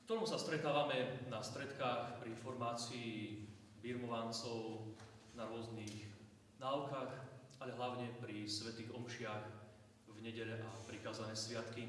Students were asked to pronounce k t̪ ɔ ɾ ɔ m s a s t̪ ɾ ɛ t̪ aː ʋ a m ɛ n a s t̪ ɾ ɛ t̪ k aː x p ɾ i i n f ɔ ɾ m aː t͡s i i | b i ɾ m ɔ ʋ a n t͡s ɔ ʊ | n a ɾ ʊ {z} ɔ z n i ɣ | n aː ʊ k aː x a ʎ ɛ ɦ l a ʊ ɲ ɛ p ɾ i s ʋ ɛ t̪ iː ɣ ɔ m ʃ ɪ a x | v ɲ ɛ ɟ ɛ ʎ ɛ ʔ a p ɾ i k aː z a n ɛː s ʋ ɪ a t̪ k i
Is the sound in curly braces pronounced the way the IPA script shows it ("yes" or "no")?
no